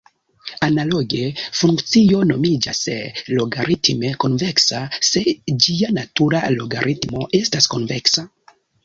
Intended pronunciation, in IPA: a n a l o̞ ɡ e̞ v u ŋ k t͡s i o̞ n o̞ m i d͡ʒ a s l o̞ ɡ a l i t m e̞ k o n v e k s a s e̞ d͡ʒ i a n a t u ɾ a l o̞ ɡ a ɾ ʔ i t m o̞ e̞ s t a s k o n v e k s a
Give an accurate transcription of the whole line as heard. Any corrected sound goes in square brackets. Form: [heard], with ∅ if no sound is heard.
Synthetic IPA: a n a l o̞ ɡ e̞ [f] u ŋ k t͡s i o̞ n o̞ m i d͡ʒ a s l o̞ ɡ a [ɾ] i t m e̞ k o n v e k s a s e̞ d͡ʒ i a n a t u ɾ a l o̞ ɡ a ɾ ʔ i t m o̞ e̞ s t a s k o n v e k s a

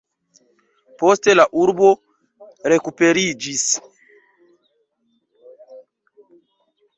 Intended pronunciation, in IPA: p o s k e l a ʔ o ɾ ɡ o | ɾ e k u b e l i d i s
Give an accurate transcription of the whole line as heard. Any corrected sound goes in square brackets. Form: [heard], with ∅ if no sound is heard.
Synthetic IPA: p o s [t] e l a ʔ [u] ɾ [b] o | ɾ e k u [p] e [ɾ] i [d͡ʒ] i s

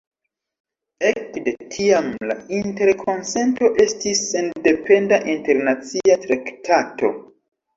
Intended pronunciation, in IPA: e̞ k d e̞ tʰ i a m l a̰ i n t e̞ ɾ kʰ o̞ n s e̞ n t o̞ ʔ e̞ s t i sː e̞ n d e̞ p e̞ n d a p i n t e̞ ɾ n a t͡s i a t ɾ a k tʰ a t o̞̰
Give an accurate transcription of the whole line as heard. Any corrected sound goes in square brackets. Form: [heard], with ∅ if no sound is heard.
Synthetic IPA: e̞ k d e̞ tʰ i a m l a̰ i n t e̞ ɾ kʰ o̞ n s e̞ n t o̞ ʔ e̞ s t i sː e̞ n d e̞ p e̞ n d a [ʔ] i n t e̞ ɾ n a t͡s i a t ɾ a k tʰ a t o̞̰

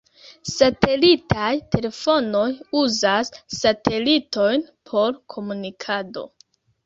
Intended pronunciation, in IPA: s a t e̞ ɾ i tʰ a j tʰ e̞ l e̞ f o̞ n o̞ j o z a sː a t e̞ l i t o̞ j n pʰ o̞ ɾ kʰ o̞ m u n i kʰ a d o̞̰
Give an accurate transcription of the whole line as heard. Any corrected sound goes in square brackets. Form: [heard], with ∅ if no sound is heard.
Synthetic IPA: s a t e̞ [l] i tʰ a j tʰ e̞ l e̞ f o̞ n o̞ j [u] z a sː a t e̞ l i t o̞ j n pʰ o̞ ɾ kʰ o̞ m u n i kʰ a d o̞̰

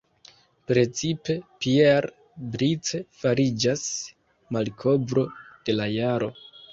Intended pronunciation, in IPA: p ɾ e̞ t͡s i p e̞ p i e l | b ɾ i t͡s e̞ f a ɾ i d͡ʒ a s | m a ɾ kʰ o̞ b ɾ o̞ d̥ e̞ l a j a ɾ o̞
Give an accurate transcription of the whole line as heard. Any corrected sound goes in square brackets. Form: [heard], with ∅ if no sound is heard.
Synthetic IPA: p ɾ e̞ t͡s i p e̞ p i e [ɾ] | b ɾ i t͡s e̞ f a ɾ i d͡ʒ a s | m a [l] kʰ o̞ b ɾ o̞ d̥ e̞ l a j a ɾ o̞

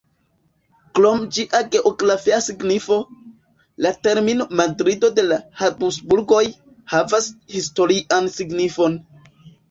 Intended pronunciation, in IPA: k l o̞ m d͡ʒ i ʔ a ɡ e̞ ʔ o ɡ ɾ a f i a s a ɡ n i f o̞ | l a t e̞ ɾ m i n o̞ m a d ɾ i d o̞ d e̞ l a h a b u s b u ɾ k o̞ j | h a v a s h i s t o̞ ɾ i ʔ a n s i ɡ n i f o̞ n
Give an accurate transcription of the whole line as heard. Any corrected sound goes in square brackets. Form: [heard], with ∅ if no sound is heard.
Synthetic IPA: k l o̞ m d͡ʒ i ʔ a ɡ e̞ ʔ o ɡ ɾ a f i a s [i] ɡ n i f o̞ | l a t e̞ ɾ m i n o̞ m a d ɾ i d o̞ d e̞ l a h a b u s b u ɾ [ɡ] o̞ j | h a v a s h i s t o̞ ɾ i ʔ a n s i ɡ n i f o̞ n

